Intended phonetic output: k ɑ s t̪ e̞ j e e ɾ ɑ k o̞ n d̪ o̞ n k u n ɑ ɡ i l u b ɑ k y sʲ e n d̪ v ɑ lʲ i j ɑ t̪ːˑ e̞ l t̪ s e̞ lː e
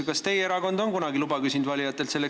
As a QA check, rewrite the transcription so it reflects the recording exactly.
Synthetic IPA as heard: k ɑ s t̪ e̞ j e e ɾ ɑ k o̞ n d̪ o̞ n k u n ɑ ɡ i l u b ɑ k y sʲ i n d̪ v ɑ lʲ i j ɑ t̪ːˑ e̞ l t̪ s e̞ lː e